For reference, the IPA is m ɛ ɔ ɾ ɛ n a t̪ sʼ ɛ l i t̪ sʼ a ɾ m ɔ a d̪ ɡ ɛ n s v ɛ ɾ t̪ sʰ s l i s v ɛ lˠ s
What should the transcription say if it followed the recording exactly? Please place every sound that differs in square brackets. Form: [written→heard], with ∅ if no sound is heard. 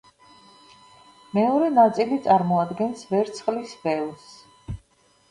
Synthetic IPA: m ɛ ɔ ɾ ɛ n a t̪ sʼ [ɛ→i] l i t̪ sʼ a ɾ m ɔ a d̪ ɡ ɛ n s v ɛ ɾ t̪ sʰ [s→χ] l i s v ɛ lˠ s